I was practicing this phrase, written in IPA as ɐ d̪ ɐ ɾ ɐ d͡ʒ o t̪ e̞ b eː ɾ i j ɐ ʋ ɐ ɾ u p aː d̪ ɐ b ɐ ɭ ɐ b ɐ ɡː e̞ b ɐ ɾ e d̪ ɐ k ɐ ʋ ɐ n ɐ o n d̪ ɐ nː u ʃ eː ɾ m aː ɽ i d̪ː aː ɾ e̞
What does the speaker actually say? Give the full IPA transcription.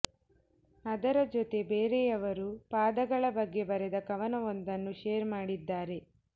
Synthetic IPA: ɐ d̪ ɐ ɾ ɐ d͡ʒ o t̪ e̞ b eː ɾ e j ɐ ʋ ɐ ɾ u p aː d̪ ɐ ɡ ɐ ɭ ɐ b ɐ ɡː e̞ b ɐ ɾ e d̪ ɐ k ɐ ʋ ɐ n ɐ o n d̪ ɐ nː u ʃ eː ɾ m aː ɽ i d̪ː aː ɾ e̞